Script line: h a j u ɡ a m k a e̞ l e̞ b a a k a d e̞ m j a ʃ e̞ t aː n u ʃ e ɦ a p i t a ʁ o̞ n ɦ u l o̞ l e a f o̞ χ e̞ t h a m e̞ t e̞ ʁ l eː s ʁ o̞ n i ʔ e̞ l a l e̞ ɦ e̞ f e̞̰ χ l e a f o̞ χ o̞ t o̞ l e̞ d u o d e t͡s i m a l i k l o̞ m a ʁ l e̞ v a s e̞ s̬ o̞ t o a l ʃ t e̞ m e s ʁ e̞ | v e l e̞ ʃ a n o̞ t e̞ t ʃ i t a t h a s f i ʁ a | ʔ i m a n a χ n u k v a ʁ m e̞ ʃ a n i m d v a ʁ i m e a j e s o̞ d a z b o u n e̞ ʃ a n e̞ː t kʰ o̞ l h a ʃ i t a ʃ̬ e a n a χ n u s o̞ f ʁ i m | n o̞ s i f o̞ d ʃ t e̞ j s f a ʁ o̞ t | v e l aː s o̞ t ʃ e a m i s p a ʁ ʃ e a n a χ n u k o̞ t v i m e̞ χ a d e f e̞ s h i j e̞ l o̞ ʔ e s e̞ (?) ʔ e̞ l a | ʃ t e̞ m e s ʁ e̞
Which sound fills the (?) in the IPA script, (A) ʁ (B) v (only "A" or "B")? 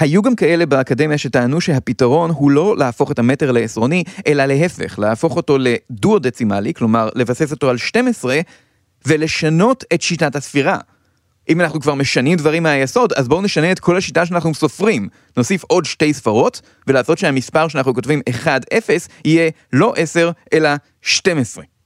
A